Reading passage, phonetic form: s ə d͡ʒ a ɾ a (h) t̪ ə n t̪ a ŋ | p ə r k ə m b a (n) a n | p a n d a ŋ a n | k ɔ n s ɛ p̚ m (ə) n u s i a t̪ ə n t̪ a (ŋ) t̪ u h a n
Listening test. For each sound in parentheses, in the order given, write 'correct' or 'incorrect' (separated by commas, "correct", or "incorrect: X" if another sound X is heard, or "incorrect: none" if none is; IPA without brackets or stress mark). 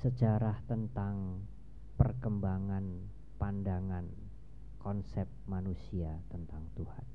correct, incorrect: ŋ, incorrect: a, correct